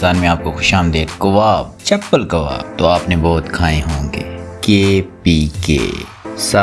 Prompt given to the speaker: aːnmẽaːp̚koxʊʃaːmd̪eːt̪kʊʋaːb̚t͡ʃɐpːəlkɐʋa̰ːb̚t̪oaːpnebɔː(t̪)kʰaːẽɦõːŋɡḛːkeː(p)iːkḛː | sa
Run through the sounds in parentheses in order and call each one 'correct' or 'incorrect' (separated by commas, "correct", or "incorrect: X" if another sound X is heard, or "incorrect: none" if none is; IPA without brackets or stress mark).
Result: correct, correct